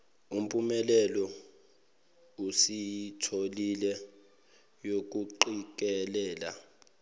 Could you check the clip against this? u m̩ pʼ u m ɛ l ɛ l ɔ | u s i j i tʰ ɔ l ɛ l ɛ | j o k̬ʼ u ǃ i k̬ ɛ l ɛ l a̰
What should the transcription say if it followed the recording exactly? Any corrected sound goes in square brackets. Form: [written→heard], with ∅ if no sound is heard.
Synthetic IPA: u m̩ pʼ u m ɛ l ɛ l ɔ | u s i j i tʰ [ɔ→o] l [ɛ→i] l ɛ | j o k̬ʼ u ǃ i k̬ ɛ l [ɛ→ɛː] l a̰